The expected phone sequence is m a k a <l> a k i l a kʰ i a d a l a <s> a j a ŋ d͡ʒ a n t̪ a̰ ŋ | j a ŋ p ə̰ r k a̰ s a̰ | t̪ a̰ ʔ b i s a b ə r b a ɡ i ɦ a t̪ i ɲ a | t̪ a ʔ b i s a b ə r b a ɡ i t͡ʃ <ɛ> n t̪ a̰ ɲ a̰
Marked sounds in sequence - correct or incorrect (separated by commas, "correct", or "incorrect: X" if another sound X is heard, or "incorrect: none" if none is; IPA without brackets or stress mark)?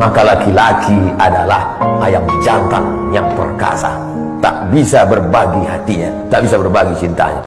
correct, incorrect: h, incorrect: i